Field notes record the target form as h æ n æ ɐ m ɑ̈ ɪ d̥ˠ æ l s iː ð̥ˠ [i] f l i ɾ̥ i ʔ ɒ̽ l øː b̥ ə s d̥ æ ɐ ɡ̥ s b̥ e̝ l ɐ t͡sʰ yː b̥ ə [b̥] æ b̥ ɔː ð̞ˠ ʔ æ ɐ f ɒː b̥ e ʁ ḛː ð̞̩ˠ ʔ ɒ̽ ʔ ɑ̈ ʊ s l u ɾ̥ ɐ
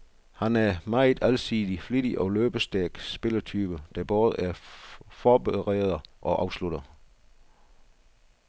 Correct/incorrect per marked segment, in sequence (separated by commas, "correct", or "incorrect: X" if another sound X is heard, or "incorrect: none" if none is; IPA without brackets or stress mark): correct, incorrect: d̥